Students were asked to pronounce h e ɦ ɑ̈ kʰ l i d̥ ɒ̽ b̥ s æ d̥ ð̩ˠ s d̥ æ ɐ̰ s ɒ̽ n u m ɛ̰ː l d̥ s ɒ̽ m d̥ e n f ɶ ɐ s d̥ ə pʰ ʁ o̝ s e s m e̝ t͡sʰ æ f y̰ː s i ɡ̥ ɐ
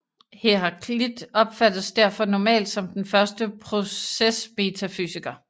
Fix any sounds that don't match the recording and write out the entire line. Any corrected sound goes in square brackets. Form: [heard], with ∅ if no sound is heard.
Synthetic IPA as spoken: h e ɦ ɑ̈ kʰ l i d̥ ɒ̽ b̥ [f] æ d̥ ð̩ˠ s d̥ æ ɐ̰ [f] ɒ̽ n [ɒ] m ɛ̰ː l d̥ s ɒ̽ m d̥ e n f ɶ ɐ s d̥ ə pʰ ʁ o̝ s e s m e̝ t͡sʰ æ f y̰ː s i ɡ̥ ɐ